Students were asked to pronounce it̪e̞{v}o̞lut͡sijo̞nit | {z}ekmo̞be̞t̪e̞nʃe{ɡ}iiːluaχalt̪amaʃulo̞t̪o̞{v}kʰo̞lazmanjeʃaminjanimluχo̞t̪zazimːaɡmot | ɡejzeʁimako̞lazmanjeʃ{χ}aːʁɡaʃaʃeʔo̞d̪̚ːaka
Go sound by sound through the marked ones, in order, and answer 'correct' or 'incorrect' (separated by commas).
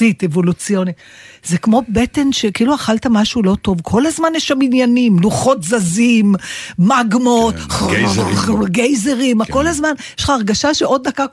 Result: correct, correct, incorrect, correct, correct